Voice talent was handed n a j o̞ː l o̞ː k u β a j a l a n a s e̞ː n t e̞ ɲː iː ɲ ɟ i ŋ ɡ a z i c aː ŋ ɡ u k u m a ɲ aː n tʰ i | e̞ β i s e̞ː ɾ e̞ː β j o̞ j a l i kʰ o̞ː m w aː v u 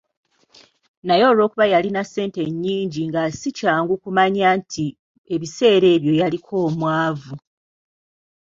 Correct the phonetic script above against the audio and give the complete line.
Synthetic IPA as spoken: n a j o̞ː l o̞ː k u β a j a l i n a s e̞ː n t e̞ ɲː iː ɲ ɟ i ŋ ɡ a s i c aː ŋ ɡ u k u m a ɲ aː n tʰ i | e̞ β i s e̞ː ɾ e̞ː β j o̞ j a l i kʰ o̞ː m w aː v u

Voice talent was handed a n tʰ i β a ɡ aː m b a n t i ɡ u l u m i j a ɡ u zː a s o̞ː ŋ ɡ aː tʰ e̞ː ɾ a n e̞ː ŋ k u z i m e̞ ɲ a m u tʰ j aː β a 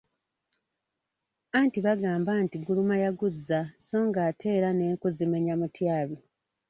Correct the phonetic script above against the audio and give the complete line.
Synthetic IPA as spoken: a n t i β a ɡ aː m b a n t i ɡ u l u m a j a ɡ u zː a s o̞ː ŋ ɡ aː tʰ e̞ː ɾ a n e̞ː ŋ k u z i m e̞ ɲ a m u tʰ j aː β i

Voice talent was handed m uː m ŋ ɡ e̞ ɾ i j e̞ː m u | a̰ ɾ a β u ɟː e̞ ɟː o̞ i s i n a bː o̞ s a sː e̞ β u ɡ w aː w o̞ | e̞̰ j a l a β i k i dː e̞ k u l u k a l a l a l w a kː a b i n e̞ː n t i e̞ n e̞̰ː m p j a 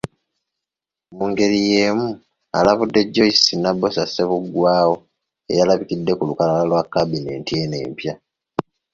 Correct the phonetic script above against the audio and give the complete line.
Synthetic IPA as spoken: m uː ŋ ɡ e̞ ɾ i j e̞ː m u | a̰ l a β u dː e̞ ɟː o̞ i s i n a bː o̞ s a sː e̞ β u ɡ w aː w o̞ | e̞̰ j a l a β i k i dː e̞ k u l u k a l a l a l w a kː a b i n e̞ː n t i e̞ n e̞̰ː m p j a

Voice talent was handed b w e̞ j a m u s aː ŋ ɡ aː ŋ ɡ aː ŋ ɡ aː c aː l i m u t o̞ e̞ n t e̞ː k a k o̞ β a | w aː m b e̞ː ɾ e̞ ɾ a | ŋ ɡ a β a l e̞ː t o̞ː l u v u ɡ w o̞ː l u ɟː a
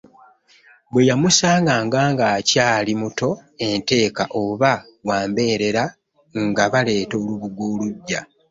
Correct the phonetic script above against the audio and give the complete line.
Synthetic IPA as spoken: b w e̞ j a m u s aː ŋ ɡ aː ŋ ɡ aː ŋ ɡ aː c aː l i m u t o̞ e̞ n t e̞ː k a ʔ o̞ β a | w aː m b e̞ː ɾ e̞ ɾ a | ŋ ɡ a β a l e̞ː t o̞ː l u β u ɡ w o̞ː l u ɟː a

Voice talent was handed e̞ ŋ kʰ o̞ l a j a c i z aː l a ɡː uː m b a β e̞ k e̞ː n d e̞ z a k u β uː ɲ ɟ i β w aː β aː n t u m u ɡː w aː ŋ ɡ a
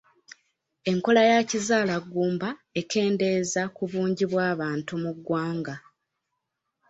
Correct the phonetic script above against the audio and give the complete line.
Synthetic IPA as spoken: e̞ ŋ k o̞ l a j a c i z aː l a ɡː uː m b a e̞ k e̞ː n d e̞ z a k u β uː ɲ ɟ i β w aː β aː n t u m u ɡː w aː ŋ ɡ a

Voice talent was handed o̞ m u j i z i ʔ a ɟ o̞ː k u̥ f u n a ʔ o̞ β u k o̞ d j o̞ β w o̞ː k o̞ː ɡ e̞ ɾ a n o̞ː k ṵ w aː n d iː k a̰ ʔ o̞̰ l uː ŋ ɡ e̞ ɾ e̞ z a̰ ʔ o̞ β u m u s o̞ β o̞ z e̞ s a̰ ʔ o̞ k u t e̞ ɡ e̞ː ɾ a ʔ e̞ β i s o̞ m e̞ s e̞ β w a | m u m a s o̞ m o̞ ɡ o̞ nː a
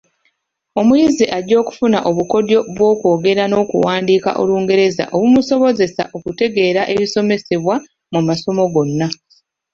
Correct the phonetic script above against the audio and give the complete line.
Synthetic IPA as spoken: o̞ m u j i z i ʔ a ɟ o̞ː k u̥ f u n a ʔ o̞ β u k o̞ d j o̞ β w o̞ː k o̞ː ɡ e̞ ɾ a n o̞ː k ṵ w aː n d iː k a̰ ʔ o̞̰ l uː ŋ ɡ e̞ ɾ e̞ z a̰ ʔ o̞ β u m u s o̞ β o̞ z e̞ s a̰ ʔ o̞ k u t e̞ ɡ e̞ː ɾ a ʔ e̞ β i s o̞ m e̞ s e̞ β w a | m u m a s o̞ m o̞ ɡ o̞ nː a

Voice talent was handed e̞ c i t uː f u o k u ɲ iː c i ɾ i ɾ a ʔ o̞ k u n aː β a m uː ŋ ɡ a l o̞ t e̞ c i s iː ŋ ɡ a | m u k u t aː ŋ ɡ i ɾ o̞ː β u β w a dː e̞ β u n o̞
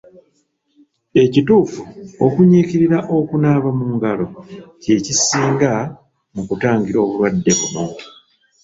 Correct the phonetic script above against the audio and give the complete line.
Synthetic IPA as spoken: e̞ c i t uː f u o k u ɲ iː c i ɾ i ɾ a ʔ o̞ k u n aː β a m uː ŋ ɡ a l o̞ c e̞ c i s iː ŋ ɡ a | m u k u t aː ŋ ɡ i ɾ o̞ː β u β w a dː e̞ β u n o̞

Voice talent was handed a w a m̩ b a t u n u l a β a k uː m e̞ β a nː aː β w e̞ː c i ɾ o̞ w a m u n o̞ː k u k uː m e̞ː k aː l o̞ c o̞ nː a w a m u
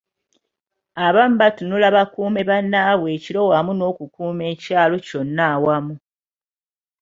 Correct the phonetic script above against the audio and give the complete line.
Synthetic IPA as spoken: a β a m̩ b a t u n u l a β a k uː m e̞ β a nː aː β w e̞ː c i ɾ o̞ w a m u n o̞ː k u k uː m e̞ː c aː l o̞ c o̞ nː a w a m u

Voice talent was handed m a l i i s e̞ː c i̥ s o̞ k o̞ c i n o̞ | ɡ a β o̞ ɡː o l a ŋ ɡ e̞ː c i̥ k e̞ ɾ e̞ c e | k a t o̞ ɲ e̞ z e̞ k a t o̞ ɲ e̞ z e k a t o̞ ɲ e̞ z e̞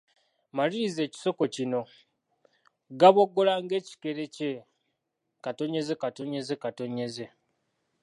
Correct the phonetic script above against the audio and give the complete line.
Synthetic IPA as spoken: m a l i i z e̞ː c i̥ s o̞ k o̞ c i n o̞ | ɡ a β o̞ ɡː o l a ŋ ɡ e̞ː c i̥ k e̞ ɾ e̞ c e | k a t o̞ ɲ e̞ z e̞ k a t o̞ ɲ e̞ z e k a t o̞ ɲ e̞ z e̞

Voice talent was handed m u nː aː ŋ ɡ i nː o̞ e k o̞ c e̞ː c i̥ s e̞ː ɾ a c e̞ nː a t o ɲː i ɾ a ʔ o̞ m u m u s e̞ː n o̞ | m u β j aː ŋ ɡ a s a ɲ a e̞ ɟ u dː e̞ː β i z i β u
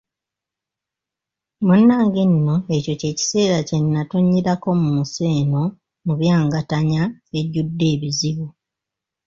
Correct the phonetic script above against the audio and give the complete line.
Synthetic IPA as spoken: m u nː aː ŋ ɡ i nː o̞ e c o̞ c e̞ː c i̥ s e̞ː ɾ a c e̞ nː a t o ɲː i ɾ a k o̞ m u m u s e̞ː n o̞ | m u β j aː ŋ ɡ a t a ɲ a e̞ ɟ u dː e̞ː β i z i β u

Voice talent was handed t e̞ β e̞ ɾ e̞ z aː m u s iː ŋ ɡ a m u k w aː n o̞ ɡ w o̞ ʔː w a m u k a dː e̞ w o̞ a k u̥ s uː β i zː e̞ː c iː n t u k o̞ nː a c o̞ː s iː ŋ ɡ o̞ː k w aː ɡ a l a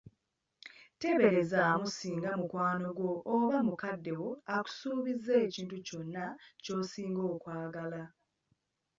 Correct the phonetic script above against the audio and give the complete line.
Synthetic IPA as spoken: t e̞ β e̞ ɾ e̞ z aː m u s iː ŋ ɡ a m u k w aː n o̞ ɡ w o̞ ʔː β a m u k a dː e̞ w o̞ a k u̥ s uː β i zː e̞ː c iː n t u c o̞ nː a c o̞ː s iː ŋ ɡ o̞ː k w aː ɡ a l a

